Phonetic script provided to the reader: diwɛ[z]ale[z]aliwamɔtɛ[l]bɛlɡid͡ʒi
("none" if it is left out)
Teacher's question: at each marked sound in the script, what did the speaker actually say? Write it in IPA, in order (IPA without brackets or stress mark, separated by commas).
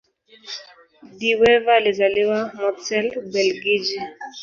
v, z, l